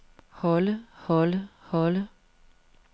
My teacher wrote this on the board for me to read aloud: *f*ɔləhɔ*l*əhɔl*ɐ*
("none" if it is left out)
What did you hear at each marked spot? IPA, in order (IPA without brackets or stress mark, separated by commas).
h, l, ə